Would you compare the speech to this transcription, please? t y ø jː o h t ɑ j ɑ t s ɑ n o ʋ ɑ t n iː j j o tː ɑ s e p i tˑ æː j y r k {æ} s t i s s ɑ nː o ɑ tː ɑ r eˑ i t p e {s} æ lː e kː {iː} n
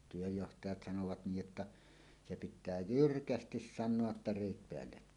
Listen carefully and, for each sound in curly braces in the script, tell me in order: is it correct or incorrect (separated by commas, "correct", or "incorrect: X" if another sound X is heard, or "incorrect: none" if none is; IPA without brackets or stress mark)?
correct, incorrect: none, incorrect: æː